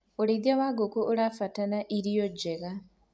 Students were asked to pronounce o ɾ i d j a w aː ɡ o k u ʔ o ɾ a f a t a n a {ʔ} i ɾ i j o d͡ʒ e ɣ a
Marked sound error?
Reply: no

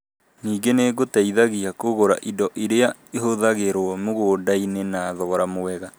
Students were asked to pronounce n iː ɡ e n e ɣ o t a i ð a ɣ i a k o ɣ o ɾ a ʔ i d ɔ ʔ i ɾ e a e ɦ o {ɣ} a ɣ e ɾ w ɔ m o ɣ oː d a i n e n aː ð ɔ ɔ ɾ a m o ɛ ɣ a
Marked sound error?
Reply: yes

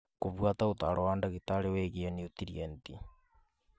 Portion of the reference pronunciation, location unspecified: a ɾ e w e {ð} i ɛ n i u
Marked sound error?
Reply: yes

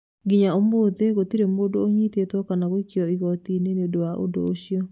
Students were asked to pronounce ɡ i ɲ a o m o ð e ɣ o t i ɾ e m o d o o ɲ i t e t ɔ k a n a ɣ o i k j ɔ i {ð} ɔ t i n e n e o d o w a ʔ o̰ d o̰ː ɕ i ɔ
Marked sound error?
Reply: yes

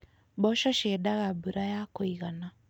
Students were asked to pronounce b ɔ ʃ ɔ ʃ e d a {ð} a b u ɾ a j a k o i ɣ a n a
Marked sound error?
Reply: yes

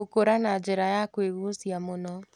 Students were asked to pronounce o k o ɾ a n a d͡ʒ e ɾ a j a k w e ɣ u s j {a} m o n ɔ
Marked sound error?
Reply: no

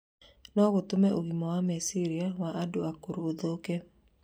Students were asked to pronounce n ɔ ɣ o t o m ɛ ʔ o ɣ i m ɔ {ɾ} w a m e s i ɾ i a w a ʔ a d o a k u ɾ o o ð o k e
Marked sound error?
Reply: yes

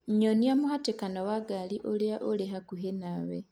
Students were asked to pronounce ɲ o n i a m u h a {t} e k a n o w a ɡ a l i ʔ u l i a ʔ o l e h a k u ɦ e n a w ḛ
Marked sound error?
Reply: no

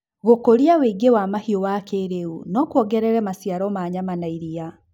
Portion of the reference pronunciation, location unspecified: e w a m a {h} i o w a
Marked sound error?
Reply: no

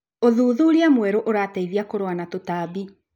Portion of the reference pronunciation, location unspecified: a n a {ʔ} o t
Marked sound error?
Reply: yes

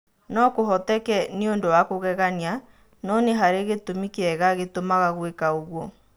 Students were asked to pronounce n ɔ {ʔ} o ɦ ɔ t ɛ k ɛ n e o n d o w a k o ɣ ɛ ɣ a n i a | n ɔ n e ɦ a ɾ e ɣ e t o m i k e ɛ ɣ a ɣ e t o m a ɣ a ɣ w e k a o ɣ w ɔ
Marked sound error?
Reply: yes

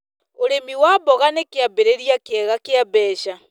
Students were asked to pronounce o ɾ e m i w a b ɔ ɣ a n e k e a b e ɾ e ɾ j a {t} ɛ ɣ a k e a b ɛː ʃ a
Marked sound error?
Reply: yes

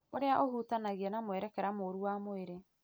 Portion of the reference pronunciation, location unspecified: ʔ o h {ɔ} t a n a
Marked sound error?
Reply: yes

